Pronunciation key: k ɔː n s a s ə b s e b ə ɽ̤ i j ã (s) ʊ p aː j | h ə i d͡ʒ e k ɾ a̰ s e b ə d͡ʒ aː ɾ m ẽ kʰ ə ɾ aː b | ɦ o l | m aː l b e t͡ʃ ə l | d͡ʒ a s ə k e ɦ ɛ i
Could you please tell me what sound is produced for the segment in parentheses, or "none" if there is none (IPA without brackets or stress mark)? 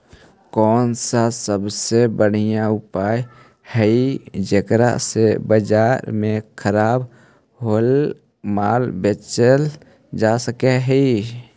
none